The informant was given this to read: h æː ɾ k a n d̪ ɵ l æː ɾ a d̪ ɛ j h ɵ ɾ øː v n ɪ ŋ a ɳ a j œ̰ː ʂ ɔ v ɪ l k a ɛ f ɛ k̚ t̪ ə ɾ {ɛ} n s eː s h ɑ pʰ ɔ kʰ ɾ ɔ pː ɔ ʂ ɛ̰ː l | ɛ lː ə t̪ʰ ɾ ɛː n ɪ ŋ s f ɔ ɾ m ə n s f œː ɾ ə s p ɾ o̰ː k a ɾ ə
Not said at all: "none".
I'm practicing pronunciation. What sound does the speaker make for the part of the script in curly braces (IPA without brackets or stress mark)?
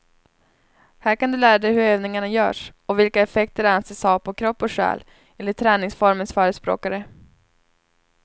a